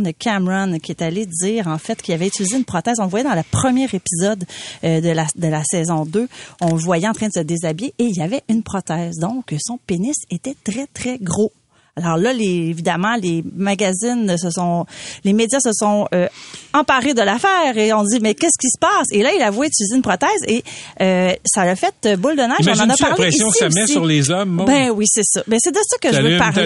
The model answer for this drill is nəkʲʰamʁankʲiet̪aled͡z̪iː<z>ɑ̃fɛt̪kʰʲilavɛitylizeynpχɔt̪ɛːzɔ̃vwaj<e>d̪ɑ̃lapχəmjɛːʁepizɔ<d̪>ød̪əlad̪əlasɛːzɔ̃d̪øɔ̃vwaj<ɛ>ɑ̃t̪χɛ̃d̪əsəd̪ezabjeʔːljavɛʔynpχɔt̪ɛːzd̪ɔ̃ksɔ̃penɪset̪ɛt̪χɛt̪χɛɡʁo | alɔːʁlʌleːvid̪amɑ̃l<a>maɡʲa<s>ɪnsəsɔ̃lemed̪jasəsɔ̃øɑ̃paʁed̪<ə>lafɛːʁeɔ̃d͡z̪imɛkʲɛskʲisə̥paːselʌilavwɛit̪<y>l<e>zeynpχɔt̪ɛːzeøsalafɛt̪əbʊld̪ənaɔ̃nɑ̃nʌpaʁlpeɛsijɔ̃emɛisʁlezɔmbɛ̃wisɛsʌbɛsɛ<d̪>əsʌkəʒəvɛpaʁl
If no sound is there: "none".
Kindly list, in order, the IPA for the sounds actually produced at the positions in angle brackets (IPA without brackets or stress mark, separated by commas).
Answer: ʁ, ɛ, d̪, ɛ, e, z, ə, y, i, d̪